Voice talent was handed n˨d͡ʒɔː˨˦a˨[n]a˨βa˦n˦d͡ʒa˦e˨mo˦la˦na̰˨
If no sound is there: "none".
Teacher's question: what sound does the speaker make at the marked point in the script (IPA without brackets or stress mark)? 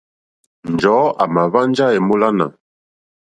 m